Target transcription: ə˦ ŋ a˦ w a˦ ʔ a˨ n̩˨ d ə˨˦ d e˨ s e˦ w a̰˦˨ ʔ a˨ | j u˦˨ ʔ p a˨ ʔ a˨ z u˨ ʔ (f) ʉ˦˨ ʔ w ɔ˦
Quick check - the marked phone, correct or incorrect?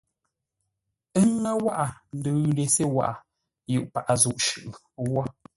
incorrect